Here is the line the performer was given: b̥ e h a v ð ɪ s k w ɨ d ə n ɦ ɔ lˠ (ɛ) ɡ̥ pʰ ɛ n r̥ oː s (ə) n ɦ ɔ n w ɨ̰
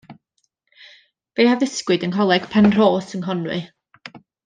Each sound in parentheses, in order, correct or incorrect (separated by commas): correct, correct